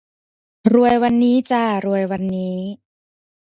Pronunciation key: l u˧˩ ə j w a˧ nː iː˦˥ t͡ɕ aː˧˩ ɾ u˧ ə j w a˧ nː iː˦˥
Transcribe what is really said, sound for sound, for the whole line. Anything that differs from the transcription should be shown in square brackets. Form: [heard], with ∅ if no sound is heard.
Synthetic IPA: [ɾ] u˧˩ ə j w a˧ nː iː˦˥ t͡ɕ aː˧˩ ɾ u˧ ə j w a˧ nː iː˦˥